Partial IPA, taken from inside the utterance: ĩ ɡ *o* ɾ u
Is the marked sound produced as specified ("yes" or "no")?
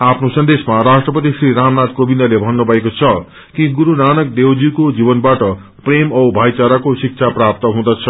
no